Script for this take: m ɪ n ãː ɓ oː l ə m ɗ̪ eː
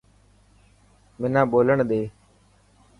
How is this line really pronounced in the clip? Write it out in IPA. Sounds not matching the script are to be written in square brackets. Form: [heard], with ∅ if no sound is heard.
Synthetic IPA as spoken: m ɪ n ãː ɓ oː l ə [ɳ] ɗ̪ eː